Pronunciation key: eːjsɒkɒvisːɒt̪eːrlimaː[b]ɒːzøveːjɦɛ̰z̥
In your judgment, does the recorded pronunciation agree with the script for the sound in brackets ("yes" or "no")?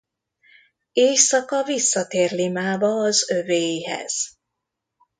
yes